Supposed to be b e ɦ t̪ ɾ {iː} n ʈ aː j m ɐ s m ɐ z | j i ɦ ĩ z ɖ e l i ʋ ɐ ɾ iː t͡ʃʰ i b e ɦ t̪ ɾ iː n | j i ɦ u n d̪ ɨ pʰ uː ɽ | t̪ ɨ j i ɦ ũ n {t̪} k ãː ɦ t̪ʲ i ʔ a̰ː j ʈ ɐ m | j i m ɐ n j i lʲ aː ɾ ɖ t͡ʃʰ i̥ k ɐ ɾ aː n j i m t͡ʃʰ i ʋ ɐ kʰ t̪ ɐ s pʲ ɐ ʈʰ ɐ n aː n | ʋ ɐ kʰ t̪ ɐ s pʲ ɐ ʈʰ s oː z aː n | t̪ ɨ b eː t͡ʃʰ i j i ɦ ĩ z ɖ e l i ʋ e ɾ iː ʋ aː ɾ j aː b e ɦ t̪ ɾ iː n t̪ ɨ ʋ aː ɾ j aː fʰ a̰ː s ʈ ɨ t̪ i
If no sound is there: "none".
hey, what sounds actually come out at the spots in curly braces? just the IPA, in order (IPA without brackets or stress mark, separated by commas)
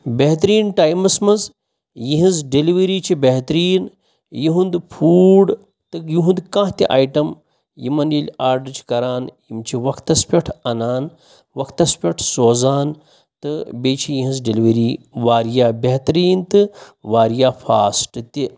iː, d̪